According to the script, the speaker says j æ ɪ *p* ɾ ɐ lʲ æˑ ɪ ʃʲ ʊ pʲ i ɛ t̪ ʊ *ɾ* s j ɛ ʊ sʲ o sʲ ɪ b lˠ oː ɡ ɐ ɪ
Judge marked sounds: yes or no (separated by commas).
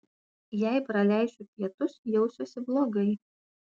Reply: yes, no